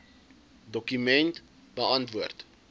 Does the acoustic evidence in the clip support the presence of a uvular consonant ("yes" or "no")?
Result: no